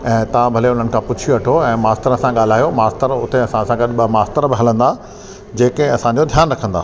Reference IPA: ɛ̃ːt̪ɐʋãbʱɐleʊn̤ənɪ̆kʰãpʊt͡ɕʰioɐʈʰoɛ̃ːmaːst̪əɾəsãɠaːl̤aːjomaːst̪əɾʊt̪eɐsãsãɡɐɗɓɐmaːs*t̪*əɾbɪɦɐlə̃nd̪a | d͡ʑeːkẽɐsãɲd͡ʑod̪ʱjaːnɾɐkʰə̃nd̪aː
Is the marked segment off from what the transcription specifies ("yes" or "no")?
no